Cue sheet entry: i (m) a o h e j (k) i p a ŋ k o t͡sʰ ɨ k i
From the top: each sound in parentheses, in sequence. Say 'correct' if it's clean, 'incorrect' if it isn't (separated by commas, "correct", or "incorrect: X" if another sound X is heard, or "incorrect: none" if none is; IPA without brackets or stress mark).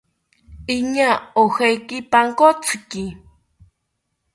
incorrect: ɲ, correct